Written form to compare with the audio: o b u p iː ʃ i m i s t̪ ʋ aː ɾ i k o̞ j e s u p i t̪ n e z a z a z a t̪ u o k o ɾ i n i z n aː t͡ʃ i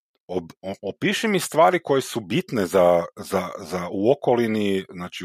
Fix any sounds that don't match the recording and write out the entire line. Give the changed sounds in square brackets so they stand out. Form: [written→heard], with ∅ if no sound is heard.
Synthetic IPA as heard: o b [u→o] p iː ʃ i m i s t̪ ʋ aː ɾ i k o̞ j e s u [p→b] i t̪ n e z a z a z a [t̪→∅] u o k o [ɾ→l] i n i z n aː t͡ʃ i